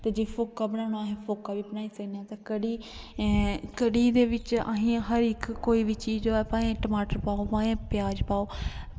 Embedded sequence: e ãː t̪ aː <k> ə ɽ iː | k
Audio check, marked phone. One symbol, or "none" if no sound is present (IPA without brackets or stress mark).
k